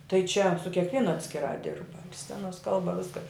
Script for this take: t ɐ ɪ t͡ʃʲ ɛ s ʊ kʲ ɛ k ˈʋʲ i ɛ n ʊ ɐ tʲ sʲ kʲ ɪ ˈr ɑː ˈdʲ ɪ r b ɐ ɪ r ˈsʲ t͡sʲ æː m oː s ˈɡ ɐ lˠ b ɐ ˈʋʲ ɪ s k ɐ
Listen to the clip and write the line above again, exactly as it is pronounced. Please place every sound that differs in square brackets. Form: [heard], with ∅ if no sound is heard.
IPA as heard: t ɐ ɪ t͡ʃʲ ɛ s ʊ kʲ ɛ k ˈʋʲ i ɛ n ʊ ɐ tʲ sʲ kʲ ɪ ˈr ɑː ˈdʲ ɪ r b ɐ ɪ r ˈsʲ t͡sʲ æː [n] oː s [ˈk] ɐ lˠ b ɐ ˈʋʲ ɪ s k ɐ